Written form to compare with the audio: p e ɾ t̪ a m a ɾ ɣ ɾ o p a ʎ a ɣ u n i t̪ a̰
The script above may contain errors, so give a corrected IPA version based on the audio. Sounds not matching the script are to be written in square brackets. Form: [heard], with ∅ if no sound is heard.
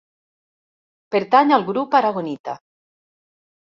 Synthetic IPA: p e ɾ t̪ a [ɲ] a [l] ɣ ɾ [u] p a [ɾ] a ɣ [o] n i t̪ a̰